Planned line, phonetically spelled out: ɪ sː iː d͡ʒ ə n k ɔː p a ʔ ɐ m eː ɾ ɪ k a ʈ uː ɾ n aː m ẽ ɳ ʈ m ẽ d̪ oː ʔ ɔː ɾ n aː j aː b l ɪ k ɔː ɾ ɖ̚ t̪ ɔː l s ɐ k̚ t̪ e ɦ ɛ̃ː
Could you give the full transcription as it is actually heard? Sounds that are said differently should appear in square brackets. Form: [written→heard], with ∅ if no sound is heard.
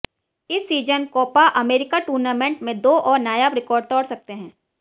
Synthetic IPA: ɪ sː iː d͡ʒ ə n k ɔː p a ʔ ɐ m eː ɾ ɪ k a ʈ uː ɾ n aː m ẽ ɳ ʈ m ẽ d̪ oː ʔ ɔː ɾ n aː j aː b [l→ɾ] ɪ k ɔː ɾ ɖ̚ t̪ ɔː [l→ɽ] s ɐ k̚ t̪ e ɦ ɛ̃ː